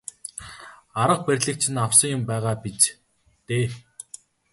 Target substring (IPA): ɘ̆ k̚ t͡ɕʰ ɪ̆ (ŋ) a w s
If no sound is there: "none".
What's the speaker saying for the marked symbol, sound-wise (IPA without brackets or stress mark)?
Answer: n